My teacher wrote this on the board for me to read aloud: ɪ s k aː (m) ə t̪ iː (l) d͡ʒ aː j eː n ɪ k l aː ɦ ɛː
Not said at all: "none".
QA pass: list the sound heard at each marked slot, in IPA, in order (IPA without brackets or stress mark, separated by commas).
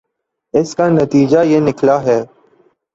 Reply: n, none